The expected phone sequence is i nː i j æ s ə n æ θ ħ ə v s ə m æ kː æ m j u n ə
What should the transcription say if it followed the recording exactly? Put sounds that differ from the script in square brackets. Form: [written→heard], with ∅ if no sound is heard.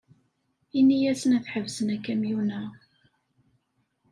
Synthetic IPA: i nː i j æ s ə n æ θ ħ ə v s ə [m→n] æ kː æ m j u n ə

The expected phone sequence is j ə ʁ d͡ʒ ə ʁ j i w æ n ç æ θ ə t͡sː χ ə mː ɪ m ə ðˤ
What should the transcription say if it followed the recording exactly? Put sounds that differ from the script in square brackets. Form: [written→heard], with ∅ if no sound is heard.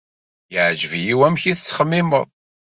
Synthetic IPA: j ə [ʁ→ʕ] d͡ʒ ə [ʁ→v] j i w æ [n→m] ç [æ→i] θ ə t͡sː χ ə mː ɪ m ə ðˤ

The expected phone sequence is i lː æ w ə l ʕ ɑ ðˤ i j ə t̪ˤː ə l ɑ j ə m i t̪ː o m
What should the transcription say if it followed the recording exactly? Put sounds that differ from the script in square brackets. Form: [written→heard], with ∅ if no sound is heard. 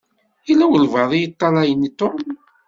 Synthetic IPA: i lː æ w ə l [ʕ→v] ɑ ðˤ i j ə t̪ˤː [ə→ɑ] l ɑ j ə [m→n] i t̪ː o m

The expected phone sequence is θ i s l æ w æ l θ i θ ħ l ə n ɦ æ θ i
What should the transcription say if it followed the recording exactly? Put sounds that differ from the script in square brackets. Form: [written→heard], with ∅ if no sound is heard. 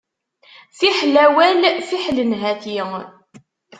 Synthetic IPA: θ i [s→ħ] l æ w æ l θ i [θ→∅] ħ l ə n ɦ æ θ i

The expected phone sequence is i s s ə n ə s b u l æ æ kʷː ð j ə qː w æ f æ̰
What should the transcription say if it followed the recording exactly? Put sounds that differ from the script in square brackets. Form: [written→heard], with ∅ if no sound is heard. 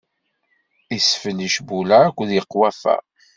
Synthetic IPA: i s [s→f] ə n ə [s→ʃ] b u l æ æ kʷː ð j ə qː w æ f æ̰

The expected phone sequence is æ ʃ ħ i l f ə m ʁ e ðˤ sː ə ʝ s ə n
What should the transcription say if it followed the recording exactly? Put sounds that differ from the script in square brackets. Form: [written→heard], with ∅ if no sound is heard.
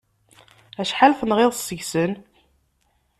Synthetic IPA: æ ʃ ħ [i→a] l f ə [m→n] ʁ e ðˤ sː ə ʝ s ə n

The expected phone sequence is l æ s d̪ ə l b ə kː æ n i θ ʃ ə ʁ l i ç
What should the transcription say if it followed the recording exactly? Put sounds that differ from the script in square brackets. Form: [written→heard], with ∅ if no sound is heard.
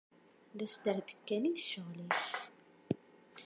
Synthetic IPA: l æ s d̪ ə [l→ɾ] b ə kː æ n i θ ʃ ə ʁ l i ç

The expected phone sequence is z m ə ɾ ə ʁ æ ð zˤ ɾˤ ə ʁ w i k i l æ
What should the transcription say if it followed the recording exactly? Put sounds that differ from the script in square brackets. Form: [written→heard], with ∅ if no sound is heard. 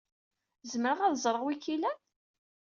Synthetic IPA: z m ə ɾ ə ʁ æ ð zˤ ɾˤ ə ʁ w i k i l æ

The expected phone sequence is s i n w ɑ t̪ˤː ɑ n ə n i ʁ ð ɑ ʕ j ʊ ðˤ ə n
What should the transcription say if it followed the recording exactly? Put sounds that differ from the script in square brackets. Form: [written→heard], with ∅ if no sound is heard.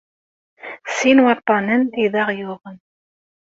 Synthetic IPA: s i n w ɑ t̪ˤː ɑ n ə n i [ʁ→∅] ð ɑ [ʕ→ʁ] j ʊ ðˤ ə n

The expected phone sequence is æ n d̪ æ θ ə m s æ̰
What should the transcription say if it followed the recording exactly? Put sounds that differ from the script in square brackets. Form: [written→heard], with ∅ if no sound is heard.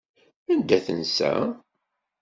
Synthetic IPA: æ n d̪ æ θ ə [m→n] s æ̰

